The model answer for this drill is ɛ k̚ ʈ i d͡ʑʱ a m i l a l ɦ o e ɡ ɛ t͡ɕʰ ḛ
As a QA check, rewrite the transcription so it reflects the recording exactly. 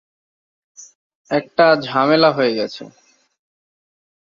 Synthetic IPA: ɛ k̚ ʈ a d͡ʑʱ a m e l a ɦ o e ɡ ɛ t͡ɕʰ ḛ